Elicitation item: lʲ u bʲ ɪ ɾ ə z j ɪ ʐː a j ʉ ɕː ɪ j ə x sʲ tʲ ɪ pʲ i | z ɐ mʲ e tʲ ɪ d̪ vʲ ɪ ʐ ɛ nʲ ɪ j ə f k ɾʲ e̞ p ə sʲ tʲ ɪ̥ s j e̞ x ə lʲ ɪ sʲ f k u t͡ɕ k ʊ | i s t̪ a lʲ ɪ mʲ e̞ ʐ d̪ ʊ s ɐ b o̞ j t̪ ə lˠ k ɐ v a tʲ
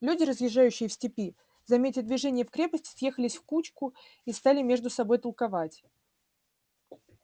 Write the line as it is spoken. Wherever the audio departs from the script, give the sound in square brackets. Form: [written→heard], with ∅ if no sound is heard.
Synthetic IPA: lʲ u [bʲ→dʲ] ɪ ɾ ə z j ɪ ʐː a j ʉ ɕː ɪ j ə [x→f] sʲ tʲ ɪ pʲ i | z ɐ mʲ e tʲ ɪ d̪ vʲ ɪ ʐ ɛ nʲ ɪ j ə f k ɾʲ e̞ p ə sʲ tʲ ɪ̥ s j e̞ x ə lʲ ɪ sʲ f k u t͡ɕ k ʊ | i s t̪ a lʲ ɪ mʲ e̞ ʐ d̪ ʊ s ɐ b o̞ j t̪ ə lˠ k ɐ v a tʲ